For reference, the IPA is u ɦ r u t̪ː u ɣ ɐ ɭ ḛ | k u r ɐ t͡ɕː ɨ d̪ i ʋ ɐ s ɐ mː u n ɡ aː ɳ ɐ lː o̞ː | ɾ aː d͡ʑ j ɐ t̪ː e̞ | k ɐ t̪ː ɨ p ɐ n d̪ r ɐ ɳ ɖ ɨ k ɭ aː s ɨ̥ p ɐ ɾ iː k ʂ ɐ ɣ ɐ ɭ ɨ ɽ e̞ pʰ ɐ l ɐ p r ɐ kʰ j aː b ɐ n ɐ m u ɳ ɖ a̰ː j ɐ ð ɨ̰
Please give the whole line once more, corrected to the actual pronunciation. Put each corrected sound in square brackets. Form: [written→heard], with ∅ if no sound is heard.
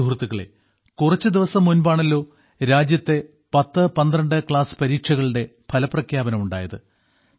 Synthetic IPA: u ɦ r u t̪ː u ɣ ɐ ɭ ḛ | k u r ɐ t͡ɕː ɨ d̪ i ʋ ɐ s ɐ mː u n [ɡ→b] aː ɳ ɐ lː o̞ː | ɾ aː d͡ʑ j ɐ t̪ː e̞ | [k→p] ɐ t̪ː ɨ p ɐ n d̪ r ɐ ɳ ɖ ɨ k ɭ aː s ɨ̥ p ɐ ɾ iː k ʂ ɐ ɣ ɐ ɭ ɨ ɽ e̞ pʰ ɐ l ɐ p r ɐ kʰ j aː b ɐ n ɐ m u ɳ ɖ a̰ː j ɐ ð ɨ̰